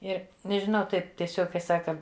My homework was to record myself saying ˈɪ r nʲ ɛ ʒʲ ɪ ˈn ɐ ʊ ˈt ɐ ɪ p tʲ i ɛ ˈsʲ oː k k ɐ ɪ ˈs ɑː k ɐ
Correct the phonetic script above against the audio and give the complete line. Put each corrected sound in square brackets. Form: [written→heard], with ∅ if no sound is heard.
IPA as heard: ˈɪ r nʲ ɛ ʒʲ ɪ ˈn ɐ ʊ ˈt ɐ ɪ p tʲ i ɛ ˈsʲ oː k k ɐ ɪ ˈs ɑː k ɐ

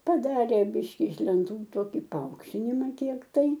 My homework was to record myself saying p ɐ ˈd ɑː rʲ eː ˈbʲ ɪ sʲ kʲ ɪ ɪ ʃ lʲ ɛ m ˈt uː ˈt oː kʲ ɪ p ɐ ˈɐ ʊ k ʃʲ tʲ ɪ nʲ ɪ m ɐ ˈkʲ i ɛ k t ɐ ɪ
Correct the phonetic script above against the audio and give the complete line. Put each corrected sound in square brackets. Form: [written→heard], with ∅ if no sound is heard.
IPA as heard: p ɐ ˈd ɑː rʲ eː ˈbʲ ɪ [sʲ→ʃʲ] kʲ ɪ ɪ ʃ lʲ ɛ [m→n] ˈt uː ˈt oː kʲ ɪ p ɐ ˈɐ ʊ k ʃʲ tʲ ɪ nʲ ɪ m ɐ ˈkʲ i ɛ k t ɐ ɪ

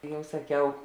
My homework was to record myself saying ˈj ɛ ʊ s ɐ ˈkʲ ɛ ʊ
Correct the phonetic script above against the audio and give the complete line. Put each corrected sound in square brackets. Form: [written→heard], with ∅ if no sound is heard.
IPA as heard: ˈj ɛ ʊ s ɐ ˈkʲ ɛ ʊ

